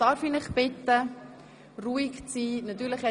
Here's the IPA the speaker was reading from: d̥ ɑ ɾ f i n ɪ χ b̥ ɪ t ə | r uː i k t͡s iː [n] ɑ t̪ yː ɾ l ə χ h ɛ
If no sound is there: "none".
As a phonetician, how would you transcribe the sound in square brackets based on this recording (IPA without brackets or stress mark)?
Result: n